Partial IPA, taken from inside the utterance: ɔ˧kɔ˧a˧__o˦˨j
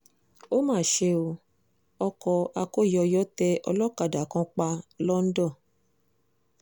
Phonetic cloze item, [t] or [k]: k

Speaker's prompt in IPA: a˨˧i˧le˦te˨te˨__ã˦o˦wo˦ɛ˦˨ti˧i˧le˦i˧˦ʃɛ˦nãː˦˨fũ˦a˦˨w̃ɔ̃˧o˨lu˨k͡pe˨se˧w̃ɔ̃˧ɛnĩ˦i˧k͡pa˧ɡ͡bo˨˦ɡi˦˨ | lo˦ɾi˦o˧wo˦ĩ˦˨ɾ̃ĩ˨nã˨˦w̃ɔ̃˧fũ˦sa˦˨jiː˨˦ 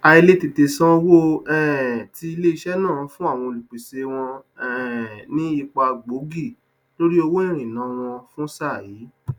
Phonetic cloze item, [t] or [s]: s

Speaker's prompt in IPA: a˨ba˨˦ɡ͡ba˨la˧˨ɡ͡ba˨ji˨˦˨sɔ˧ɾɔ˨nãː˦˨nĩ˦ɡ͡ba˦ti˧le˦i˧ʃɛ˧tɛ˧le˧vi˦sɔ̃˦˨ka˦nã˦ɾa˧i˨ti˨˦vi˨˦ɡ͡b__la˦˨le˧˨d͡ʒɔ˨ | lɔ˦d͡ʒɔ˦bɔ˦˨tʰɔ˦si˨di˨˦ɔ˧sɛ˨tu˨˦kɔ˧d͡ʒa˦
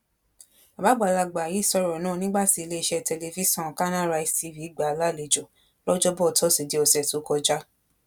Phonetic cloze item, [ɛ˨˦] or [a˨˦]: a˨˦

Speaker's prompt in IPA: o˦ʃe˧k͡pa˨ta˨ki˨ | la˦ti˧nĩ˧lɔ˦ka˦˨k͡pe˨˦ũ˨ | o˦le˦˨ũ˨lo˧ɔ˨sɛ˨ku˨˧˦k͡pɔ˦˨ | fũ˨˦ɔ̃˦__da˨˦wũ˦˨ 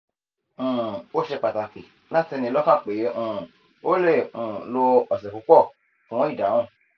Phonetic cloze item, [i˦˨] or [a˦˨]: i˦˨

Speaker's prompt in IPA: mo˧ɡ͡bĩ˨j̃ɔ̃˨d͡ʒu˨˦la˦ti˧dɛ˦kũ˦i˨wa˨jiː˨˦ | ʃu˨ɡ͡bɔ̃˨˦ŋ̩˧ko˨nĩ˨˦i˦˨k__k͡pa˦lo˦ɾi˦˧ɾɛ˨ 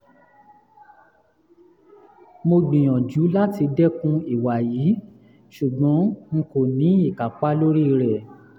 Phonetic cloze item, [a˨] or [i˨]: a˨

